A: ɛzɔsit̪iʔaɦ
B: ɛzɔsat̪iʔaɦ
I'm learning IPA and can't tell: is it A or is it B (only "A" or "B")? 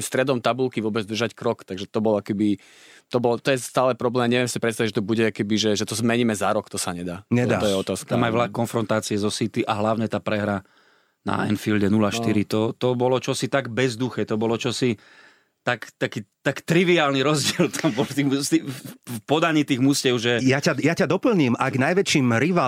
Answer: A